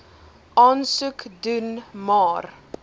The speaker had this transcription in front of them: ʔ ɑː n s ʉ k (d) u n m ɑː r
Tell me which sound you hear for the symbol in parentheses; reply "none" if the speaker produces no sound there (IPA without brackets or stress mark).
d